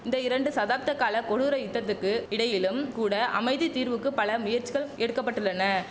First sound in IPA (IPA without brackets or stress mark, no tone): ɪ